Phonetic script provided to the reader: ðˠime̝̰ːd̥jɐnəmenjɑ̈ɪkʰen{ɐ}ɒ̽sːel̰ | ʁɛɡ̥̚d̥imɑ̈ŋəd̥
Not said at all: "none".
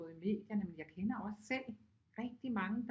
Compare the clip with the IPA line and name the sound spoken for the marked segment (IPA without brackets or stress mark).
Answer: ɐ